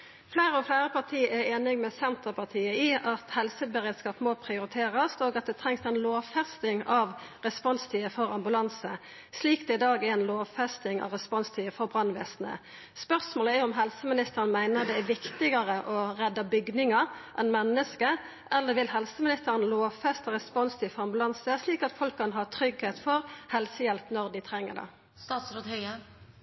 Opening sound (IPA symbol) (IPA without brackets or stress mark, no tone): f